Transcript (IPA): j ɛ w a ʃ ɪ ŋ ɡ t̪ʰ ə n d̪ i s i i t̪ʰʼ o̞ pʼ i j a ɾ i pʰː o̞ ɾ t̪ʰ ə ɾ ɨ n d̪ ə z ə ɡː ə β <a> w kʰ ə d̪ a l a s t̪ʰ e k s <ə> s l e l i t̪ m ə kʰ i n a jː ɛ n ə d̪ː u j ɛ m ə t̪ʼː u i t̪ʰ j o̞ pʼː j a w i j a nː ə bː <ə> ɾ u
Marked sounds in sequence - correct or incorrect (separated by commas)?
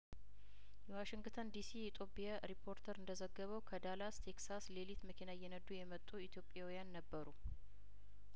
incorrect, incorrect, correct